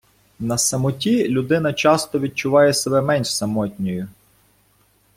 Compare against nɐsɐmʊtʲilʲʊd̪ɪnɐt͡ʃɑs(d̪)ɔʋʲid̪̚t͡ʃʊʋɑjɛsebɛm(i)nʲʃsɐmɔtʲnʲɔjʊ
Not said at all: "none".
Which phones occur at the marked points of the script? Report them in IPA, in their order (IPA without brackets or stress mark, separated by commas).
t̪, ɛ